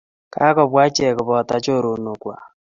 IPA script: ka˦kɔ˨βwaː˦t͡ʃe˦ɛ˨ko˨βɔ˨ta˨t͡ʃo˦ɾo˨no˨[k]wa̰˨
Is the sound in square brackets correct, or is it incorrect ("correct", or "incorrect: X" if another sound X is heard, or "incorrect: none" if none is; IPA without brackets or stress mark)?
correct